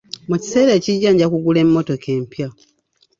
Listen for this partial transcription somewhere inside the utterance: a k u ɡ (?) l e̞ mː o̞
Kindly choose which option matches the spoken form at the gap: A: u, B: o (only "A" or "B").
A